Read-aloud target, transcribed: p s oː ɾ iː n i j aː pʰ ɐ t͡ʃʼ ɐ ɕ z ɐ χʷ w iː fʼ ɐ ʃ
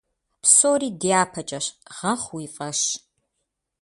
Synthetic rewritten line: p s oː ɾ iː d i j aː pʰ ɐ t͡ʃʼ ɐ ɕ ʁ ɐ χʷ w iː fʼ ɐ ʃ